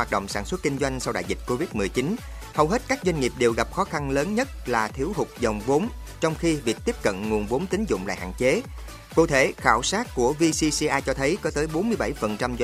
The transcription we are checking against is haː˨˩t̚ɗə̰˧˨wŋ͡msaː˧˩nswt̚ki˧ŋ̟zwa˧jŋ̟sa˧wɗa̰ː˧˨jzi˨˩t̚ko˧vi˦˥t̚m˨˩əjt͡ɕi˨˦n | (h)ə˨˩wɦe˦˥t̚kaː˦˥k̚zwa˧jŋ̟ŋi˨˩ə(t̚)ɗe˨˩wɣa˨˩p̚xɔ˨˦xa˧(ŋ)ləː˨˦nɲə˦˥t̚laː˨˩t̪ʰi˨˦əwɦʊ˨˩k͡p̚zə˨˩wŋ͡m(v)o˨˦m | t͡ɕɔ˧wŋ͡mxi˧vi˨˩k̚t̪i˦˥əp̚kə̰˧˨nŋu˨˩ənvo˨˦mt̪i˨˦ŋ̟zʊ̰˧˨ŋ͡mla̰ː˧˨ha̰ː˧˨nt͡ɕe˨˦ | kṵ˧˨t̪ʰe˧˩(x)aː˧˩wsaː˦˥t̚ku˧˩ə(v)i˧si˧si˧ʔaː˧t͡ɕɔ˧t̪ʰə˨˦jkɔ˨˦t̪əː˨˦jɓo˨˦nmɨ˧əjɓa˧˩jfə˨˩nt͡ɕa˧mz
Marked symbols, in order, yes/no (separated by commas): yes, no, no, yes, yes, yes